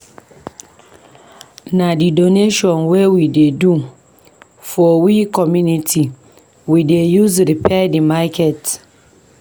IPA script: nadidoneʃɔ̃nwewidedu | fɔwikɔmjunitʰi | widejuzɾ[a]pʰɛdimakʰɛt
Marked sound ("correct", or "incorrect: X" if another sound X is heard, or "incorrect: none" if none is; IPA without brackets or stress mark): incorrect: i